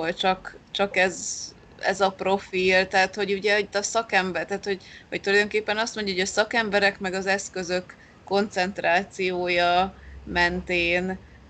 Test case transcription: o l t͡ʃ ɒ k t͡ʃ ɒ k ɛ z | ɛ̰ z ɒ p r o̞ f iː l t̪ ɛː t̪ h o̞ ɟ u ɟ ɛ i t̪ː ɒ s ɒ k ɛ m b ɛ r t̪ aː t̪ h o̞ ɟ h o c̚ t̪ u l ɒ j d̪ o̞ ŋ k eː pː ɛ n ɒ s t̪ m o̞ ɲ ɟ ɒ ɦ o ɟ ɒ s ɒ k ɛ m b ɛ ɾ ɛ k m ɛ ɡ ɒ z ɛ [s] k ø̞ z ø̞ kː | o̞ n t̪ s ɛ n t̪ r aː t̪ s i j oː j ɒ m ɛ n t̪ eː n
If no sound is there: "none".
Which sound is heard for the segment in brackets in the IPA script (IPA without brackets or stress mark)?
s